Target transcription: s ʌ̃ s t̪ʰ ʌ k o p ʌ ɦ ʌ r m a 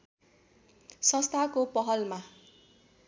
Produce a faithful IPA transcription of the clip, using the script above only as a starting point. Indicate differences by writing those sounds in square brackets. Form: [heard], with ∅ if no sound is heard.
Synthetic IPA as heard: s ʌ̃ s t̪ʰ [a] k o p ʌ ɦ ʌ [l] m a